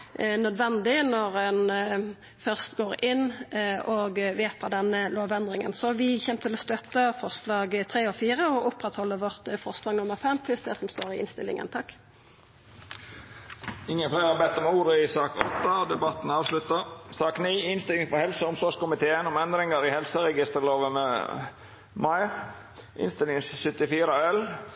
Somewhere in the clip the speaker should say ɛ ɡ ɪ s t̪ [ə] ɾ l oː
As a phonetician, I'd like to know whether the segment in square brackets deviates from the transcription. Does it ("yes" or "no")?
no